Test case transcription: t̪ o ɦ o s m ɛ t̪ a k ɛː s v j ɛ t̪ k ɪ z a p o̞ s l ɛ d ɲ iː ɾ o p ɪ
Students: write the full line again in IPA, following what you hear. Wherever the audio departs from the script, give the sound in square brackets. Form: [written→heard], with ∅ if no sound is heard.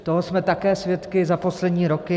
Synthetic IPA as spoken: t̪ o ɦ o s m ɛ t̪ a k ɛː s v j ɛ t̪ k ɪ z a p o̞ s l ɛ d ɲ iː ɾ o [p→k] ɪ